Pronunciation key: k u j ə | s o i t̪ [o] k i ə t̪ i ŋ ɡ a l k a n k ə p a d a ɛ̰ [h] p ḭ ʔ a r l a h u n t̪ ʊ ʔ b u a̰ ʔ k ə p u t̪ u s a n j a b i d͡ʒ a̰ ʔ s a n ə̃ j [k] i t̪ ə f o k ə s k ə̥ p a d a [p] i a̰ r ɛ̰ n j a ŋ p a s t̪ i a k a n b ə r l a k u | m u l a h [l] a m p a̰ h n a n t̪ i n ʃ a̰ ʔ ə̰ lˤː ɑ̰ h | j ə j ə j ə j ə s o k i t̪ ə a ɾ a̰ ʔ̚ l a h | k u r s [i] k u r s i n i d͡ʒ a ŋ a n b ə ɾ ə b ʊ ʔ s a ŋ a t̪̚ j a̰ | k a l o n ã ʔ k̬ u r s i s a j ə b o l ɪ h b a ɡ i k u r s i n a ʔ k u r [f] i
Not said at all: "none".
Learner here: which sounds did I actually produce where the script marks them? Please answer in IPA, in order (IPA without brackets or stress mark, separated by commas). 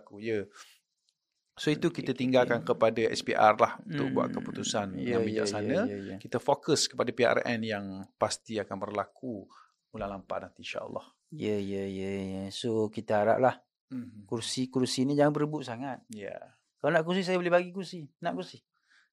u, s, k, p, l, i, s